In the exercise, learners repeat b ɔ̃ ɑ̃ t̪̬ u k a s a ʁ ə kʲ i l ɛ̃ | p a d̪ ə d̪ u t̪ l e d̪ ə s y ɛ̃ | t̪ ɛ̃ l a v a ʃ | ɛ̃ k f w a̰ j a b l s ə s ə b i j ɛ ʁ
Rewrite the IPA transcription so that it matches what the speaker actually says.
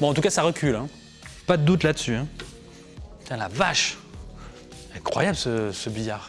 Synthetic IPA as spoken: b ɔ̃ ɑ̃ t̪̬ u k a s a ʁ ə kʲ y l ɛ̃ | p a d̪ ə d̪ u t̪ l a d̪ ə s y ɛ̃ | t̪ ɛ̃ l a v a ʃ | ɛ̃ k χ w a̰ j a b l s ə s ə b i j a ʁ